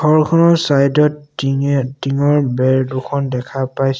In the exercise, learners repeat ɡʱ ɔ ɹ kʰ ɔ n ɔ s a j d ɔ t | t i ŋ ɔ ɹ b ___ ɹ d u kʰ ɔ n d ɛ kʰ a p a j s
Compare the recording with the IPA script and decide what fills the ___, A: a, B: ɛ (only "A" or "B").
B